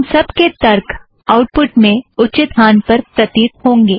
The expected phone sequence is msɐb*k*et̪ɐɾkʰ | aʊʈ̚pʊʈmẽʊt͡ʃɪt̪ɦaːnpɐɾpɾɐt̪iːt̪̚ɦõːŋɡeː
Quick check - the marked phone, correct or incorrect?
correct